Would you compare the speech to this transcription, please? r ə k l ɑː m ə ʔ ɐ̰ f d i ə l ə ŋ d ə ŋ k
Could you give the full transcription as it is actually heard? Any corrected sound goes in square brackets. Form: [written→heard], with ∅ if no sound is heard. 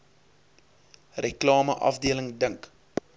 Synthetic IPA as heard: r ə k l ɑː m ə ʔ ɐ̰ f d i ə l ə ŋ d ə ŋ k